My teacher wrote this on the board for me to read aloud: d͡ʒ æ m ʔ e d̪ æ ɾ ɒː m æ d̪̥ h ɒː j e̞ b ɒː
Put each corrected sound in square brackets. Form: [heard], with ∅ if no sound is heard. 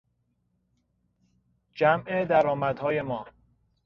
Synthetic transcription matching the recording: d͡ʒ æ m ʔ e d̪ æ ɾ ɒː m æ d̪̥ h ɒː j e̞ [m] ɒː